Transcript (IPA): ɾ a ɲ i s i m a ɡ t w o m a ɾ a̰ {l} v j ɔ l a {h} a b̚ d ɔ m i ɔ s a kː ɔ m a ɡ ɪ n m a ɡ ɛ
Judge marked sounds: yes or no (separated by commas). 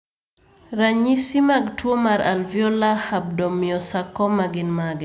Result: yes, yes